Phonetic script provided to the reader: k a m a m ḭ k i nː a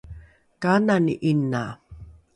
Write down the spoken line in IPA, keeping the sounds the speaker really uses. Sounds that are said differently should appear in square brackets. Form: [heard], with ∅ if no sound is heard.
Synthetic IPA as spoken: k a [n] a [n] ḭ [ʔ] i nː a